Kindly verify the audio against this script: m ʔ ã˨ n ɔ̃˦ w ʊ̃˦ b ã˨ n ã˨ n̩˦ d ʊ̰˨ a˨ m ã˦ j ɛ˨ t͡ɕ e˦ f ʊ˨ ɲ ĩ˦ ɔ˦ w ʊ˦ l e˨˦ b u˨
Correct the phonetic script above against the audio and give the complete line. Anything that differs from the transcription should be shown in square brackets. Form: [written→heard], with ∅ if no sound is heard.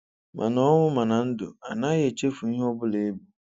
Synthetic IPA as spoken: m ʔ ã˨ n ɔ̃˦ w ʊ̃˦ [b→m] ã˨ n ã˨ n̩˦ d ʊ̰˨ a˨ [m→n] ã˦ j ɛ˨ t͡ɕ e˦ f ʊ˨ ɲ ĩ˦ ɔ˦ [w→b] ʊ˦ l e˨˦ b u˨